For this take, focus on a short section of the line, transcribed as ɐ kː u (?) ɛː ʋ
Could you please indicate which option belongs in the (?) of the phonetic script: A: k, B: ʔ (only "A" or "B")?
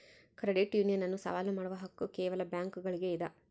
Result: A